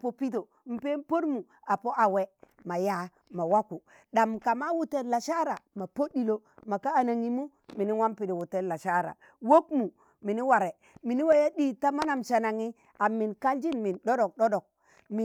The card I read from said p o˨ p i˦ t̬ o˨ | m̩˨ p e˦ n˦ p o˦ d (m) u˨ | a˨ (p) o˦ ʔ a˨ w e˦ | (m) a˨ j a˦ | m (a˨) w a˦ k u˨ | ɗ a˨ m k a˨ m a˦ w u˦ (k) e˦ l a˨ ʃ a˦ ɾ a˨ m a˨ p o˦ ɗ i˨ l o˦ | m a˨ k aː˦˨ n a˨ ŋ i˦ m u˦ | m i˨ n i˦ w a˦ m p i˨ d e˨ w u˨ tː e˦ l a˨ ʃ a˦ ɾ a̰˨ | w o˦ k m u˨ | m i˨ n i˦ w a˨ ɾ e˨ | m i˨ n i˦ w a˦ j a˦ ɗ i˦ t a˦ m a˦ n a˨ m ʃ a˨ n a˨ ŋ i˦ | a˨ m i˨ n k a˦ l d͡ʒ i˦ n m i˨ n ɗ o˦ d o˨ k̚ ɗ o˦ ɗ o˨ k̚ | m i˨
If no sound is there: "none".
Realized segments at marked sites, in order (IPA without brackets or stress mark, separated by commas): m, p, m, a˨, t